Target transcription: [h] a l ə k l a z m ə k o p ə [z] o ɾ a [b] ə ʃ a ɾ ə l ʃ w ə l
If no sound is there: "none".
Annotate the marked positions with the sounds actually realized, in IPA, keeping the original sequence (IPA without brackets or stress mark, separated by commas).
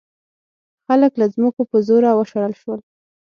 x, z, w